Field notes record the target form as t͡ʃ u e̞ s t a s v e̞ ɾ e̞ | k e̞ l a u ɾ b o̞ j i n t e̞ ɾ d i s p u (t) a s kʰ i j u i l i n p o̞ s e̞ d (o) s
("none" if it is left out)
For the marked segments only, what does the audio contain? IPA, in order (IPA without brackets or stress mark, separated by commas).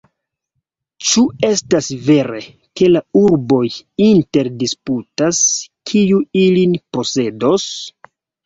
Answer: t, o